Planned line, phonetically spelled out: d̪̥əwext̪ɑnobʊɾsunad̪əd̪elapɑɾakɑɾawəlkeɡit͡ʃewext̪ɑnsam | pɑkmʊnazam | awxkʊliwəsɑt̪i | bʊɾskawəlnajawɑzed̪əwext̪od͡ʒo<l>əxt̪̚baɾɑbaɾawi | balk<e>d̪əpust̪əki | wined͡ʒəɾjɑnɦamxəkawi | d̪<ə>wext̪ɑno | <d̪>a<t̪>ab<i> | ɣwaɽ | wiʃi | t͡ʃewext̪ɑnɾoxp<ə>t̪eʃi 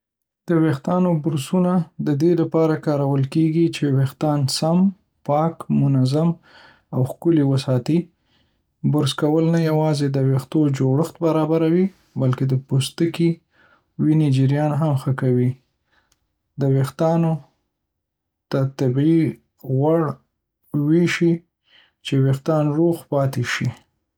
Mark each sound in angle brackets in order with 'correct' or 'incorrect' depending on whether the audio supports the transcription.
incorrect: ɽ, correct, correct, incorrect: t̪, correct, correct, incorrect: ɑ

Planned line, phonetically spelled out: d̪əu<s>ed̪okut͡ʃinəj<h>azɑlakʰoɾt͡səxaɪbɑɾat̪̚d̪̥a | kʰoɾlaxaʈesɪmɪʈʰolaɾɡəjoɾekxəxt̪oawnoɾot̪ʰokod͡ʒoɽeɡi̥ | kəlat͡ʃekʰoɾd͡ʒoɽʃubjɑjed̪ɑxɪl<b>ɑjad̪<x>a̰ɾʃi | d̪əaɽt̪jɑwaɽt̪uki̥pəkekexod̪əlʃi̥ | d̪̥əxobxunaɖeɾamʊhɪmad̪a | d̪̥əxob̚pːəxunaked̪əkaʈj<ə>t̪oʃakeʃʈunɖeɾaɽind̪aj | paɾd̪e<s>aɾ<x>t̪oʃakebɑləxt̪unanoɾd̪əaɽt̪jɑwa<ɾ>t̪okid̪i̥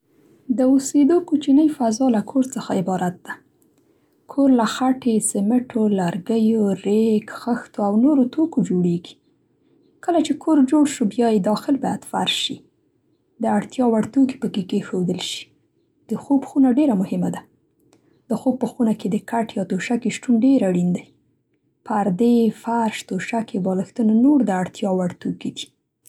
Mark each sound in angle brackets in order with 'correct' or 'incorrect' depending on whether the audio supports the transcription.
correct, incorrect: f, correct, incorrect: f, incorrect: ɑ, incorrect: f, incorrect: ʃ, incorrect: ɽ

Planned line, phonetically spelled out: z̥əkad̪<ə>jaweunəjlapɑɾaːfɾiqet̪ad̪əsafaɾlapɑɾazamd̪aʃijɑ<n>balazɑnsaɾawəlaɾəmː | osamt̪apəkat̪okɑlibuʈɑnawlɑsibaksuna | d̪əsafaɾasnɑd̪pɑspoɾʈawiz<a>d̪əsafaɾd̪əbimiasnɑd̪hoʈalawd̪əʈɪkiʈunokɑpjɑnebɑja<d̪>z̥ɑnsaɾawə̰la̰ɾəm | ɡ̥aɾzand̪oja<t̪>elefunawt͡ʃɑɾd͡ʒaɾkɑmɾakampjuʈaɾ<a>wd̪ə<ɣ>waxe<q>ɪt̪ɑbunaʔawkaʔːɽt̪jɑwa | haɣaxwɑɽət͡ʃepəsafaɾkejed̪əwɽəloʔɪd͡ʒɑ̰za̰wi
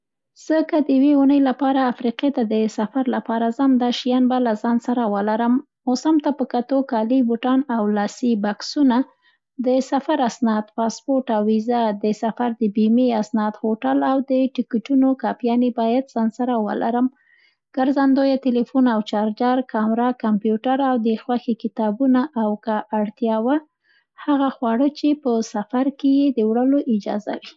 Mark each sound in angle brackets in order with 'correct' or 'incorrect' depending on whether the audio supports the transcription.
correct, correct, correct, correct, correct, correct, incorrect: x, incorrect: k

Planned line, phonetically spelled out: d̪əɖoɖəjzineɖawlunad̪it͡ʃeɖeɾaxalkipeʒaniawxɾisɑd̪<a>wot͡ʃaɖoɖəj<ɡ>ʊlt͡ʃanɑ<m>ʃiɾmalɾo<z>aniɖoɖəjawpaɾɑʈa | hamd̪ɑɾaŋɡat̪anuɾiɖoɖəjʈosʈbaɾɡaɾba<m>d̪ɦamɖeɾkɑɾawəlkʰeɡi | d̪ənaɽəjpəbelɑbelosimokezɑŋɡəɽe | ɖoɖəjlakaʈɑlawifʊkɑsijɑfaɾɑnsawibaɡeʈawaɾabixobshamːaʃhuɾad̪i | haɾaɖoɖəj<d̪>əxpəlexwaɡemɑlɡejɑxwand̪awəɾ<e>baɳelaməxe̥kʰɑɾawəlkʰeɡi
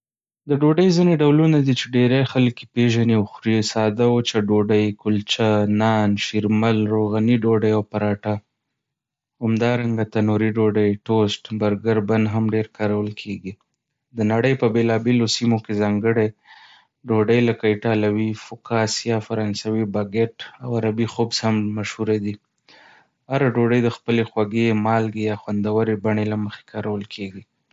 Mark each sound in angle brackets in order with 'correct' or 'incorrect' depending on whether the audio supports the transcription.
correct, incorrect: k, incorrect: n, incorrect: ɣ, incorrect: n, correct, correct

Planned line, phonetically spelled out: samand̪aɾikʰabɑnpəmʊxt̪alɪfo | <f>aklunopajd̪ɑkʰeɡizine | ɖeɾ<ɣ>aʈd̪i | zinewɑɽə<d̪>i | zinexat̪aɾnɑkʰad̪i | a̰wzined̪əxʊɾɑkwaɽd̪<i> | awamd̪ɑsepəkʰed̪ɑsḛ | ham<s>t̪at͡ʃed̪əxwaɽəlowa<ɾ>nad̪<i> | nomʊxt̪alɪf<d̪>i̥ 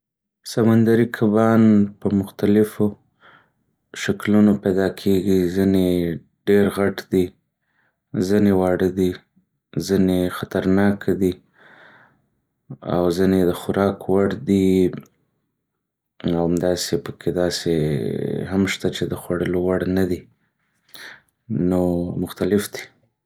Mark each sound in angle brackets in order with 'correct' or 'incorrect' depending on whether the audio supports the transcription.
incorrect: ʃ, correct, correct, correct, incorrect: ʃ, incorrect: ɽ, correct, correct

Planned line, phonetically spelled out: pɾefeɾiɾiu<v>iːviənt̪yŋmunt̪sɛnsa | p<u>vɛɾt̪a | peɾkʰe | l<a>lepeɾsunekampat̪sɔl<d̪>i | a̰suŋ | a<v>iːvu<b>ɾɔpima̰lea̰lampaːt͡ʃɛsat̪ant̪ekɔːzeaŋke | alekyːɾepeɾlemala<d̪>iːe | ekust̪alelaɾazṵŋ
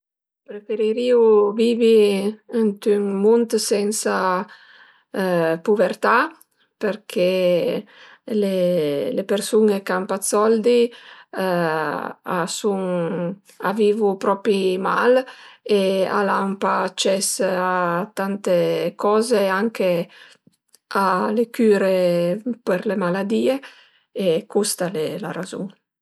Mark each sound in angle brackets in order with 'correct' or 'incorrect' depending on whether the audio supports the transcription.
correct, correct, incorrect: e, correct, correct, incorrect: p, correct

